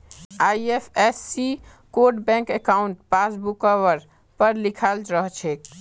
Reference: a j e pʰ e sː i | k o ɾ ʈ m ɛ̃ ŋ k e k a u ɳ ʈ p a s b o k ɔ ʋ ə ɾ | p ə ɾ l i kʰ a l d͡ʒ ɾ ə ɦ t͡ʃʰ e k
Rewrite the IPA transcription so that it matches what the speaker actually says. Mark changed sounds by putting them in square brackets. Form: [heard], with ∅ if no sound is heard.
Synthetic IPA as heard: a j e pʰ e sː i | k o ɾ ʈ [b] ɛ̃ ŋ k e k a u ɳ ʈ p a s b [u] k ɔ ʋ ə ɾ | p ə ɾ l i kʰ a l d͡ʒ ɾ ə ɦ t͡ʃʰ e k

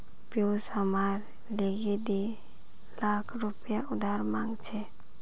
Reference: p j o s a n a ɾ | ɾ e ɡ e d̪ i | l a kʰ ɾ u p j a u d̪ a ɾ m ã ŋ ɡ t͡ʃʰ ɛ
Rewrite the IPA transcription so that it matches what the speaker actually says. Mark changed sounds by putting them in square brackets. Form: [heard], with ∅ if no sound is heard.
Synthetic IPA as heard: p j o s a [m] a ɾ | [l] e ɡ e d̪ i | l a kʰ ɾ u p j a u d̪ a ɾ m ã ŋ ɡ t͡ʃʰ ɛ

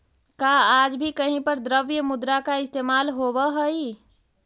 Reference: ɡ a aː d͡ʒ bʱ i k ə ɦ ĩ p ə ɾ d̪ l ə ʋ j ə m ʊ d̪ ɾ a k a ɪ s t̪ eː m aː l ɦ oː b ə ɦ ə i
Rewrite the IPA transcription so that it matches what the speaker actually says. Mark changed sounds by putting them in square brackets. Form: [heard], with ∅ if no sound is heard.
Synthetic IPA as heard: [k] a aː d͡ʒ bʱ i k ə ɦ ĩ p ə ɾ d̪ [ɾ] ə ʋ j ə m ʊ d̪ ɾ a k a ɪ s t̪ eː m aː l ɦ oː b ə ɦ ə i

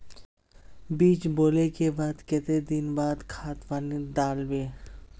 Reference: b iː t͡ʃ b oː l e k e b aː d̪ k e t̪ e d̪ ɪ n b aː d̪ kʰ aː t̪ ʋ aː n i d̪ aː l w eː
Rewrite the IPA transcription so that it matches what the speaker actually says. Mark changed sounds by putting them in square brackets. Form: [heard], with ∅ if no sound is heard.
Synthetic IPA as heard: b iː t͡ʃ b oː l e k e b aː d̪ k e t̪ e d̪ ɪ n b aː d̪ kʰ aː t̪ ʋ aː n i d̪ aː l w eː

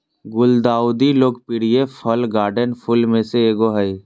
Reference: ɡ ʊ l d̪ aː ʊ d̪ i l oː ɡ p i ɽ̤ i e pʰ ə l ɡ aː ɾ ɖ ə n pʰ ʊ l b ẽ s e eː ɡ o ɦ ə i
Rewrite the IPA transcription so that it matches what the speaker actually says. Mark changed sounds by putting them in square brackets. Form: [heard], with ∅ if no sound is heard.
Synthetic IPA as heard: ɡ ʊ l d̪ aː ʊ d̪ i l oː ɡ p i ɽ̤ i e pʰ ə l ɡ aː ɾ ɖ ə n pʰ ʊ l [m] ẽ s e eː ɡ o ɦ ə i

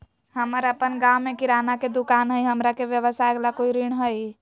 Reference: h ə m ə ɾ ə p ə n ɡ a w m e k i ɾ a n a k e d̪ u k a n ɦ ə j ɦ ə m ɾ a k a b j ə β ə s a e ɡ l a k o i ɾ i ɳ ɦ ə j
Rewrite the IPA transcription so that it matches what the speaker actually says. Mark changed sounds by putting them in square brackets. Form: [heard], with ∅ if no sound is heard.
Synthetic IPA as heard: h ə m ə ɾ ə p ə n ɡ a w m e k i ɾ a n a k e d̪ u k a n ɦ ə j ɦ ə m ɾ a k [e] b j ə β ə s a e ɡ l a k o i ɾ i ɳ ɦ ə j

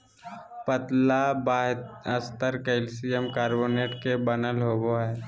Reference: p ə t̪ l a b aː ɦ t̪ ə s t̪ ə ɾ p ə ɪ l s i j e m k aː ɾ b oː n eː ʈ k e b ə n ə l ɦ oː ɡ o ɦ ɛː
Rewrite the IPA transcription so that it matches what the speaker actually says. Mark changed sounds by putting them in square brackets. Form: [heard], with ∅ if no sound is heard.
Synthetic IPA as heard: p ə t̪ l a b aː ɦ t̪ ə s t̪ ə ɾ [k] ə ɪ l s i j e m k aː ɾ b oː n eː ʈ k e b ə n ə l ɦ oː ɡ o ɦ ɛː

